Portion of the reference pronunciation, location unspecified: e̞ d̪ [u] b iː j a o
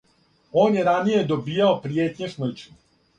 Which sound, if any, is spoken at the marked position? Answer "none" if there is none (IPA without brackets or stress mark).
o